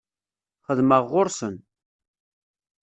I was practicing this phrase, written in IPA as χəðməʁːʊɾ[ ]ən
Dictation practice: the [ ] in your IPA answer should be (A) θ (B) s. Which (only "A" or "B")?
B